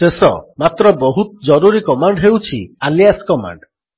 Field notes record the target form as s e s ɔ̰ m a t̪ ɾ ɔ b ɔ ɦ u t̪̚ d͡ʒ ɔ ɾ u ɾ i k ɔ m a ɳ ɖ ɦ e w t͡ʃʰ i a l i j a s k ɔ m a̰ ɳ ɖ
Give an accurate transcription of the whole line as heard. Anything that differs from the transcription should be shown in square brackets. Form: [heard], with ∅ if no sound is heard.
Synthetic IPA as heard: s e s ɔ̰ m a t̪ ɾ ɔ b ɔ ɦ u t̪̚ d͡ʒ ɔ ɾ u ɾ i k ɔ m a ɳ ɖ ɦ e w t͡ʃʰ i a l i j a s k ɔ m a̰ ɳ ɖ